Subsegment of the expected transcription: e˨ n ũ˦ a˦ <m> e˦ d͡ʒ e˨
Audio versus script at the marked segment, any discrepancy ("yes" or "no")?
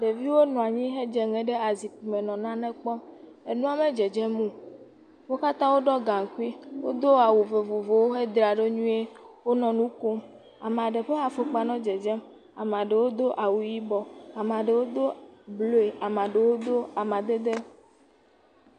no